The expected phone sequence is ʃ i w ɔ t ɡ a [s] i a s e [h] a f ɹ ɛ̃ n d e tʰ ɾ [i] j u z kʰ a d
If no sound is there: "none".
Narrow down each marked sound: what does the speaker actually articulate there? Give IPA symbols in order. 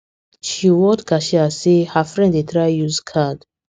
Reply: ʃ, h, a

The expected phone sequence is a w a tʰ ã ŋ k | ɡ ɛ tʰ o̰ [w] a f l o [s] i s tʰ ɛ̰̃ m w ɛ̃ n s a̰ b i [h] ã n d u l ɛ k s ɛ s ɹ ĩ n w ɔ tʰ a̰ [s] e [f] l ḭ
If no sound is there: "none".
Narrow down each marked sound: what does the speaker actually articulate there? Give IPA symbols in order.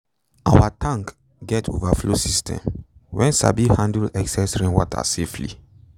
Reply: v, s, h, s, f

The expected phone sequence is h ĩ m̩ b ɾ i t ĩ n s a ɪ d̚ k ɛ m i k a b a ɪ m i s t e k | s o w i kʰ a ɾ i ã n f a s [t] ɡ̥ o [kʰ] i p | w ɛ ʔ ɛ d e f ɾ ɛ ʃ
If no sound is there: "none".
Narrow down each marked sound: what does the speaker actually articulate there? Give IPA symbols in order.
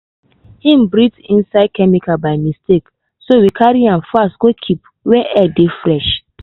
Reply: t, kʰ

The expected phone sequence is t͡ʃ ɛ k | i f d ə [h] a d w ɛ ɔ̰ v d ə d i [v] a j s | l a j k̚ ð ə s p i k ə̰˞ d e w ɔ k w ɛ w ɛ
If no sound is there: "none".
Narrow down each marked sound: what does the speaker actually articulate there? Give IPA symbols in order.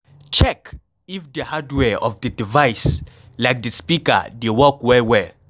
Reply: h, v

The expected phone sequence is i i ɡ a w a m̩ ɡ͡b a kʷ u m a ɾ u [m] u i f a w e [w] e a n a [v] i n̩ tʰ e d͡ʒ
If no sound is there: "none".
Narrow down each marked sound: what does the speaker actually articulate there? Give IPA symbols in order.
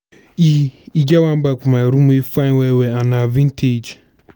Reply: m, w, v

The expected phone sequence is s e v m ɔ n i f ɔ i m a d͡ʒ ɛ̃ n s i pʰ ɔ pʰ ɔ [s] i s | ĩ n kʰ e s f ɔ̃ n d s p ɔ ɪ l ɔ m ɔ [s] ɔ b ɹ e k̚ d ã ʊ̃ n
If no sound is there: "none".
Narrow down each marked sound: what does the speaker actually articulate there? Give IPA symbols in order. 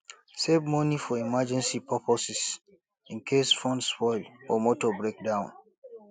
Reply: s, t

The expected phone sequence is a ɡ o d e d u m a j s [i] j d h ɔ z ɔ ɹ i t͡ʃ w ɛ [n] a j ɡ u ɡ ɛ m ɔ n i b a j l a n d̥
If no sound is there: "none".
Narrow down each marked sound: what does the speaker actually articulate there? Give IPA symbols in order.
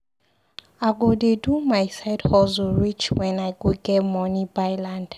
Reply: a, n

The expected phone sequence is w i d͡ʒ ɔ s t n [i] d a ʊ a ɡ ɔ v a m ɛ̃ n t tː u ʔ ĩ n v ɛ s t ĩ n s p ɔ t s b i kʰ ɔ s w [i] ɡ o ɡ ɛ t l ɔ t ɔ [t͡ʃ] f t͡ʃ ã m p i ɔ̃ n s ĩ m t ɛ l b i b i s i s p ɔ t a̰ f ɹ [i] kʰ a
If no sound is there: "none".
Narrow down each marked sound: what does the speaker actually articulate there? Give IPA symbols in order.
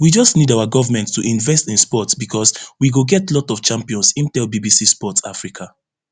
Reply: i, i, none, i

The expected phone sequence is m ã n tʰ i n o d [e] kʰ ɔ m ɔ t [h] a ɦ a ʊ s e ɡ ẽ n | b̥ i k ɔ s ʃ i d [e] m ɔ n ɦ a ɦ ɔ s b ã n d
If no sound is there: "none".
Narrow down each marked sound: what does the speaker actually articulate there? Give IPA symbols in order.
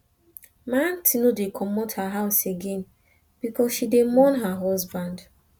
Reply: e, h, e

